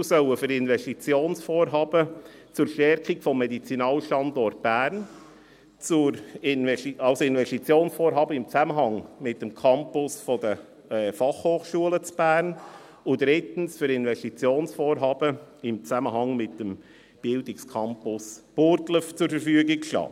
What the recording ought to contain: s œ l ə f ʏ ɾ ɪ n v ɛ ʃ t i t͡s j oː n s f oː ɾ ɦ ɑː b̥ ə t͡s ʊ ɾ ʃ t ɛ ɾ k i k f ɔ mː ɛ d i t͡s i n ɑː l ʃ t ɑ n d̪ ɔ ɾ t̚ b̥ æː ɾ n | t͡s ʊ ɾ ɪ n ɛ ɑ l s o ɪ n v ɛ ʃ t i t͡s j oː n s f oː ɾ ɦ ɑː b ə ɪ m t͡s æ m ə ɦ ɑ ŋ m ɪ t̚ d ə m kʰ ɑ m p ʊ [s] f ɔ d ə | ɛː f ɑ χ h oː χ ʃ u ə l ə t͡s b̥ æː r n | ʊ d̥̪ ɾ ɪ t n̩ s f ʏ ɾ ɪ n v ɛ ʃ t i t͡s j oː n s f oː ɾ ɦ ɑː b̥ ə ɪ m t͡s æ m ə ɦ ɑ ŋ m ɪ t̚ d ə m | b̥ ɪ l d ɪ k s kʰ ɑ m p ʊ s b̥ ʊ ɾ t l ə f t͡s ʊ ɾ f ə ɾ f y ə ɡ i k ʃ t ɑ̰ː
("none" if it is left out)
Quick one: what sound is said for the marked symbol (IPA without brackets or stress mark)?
s